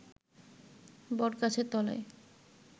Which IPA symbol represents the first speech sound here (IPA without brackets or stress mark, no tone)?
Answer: b